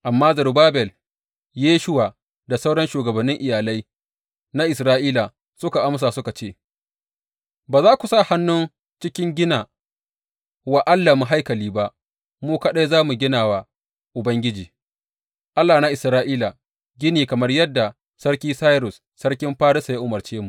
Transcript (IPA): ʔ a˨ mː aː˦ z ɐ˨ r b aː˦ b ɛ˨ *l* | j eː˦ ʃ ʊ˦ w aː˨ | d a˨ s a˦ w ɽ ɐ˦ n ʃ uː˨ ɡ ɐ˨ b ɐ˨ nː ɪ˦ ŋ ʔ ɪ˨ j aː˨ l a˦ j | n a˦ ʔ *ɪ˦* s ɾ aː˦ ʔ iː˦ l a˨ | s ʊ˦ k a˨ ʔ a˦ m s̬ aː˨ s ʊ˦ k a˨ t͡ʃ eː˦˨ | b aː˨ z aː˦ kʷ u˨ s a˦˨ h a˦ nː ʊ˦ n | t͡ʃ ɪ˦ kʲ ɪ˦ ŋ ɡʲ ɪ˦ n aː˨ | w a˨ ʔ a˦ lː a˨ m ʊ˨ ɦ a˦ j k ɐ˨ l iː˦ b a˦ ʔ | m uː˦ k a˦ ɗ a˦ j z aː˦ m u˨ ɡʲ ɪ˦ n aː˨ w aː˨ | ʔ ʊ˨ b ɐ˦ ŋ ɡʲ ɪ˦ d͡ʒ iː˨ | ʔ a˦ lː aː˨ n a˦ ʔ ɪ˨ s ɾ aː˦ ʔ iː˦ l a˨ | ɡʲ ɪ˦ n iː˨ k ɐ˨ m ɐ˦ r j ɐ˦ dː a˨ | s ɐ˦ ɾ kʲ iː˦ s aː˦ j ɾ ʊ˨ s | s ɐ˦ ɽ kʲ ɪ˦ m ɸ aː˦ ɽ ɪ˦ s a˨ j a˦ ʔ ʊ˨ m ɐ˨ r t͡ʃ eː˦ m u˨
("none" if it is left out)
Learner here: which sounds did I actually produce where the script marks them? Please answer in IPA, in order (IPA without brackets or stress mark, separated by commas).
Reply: l, ɪ˨